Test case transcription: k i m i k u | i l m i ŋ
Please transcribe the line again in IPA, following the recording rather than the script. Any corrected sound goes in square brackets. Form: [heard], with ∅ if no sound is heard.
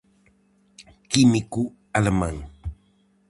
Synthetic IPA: k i m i k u | [a] l m [a] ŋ